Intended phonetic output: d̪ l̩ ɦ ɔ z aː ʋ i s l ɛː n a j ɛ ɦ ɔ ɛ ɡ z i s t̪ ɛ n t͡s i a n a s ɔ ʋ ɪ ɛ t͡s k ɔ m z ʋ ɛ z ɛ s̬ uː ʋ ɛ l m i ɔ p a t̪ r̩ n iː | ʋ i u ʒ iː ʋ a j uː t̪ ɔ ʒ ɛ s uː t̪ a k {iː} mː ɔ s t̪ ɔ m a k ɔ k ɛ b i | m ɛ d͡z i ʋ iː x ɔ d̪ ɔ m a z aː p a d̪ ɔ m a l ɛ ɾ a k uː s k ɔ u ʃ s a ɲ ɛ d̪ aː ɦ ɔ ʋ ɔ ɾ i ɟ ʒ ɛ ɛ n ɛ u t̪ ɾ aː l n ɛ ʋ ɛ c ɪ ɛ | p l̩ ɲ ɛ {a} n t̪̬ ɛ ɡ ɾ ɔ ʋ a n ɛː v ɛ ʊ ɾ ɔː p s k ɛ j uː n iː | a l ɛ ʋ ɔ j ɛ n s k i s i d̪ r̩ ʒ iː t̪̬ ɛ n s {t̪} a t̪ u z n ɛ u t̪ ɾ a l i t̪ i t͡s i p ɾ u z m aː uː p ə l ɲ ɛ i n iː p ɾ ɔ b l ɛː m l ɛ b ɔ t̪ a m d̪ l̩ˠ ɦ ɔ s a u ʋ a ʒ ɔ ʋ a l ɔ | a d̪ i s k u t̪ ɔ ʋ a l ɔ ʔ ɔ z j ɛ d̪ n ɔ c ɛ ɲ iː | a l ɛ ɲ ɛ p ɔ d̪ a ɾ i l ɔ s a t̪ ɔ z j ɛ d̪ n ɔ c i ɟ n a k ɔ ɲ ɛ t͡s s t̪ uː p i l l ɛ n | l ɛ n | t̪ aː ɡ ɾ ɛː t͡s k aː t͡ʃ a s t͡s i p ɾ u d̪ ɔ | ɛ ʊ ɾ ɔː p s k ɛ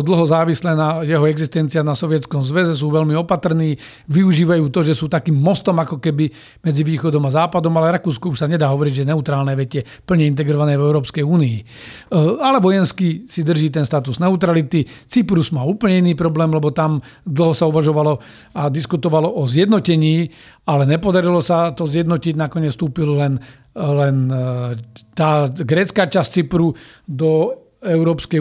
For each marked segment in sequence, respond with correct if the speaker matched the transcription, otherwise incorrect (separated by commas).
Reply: correct, incorrect, correct